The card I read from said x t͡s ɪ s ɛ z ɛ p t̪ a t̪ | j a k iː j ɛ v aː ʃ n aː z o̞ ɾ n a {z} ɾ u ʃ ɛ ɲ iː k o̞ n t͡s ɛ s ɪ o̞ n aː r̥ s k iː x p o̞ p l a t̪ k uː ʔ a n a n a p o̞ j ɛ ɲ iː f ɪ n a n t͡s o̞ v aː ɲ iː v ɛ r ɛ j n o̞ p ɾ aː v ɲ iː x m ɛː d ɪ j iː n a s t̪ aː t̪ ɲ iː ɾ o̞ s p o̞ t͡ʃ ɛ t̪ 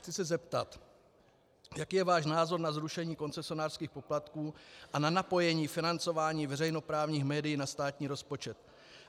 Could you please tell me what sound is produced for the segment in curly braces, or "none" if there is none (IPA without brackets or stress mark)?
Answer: z